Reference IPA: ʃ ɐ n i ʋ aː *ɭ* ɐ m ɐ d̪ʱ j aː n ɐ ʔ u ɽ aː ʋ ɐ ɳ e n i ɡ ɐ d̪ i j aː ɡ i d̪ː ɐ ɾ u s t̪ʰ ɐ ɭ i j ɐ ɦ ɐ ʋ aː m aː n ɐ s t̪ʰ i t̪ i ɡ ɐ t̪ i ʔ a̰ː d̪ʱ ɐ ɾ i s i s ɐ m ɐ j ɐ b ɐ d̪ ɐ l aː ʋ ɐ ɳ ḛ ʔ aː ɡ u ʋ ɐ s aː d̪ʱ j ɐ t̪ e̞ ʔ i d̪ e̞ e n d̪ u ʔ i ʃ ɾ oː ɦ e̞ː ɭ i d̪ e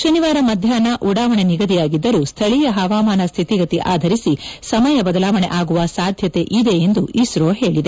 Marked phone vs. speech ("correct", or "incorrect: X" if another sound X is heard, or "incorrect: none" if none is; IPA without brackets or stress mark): incorrect: ɾ